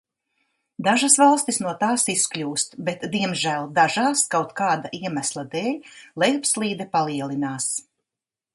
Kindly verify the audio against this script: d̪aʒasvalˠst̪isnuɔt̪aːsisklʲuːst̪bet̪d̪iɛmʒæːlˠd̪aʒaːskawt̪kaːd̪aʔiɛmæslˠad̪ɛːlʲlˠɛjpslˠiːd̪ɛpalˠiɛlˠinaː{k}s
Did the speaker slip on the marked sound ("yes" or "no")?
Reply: yes